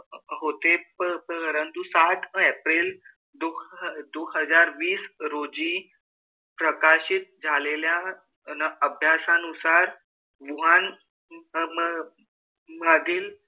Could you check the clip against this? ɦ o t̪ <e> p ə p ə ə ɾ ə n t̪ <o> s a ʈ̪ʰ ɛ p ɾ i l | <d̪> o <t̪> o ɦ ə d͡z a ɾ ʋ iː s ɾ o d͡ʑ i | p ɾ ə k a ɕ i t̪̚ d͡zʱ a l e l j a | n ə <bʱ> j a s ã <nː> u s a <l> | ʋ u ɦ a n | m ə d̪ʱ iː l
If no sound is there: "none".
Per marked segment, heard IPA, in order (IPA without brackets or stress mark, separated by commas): e, u, d̪, d̪, bʱ, n, ɾ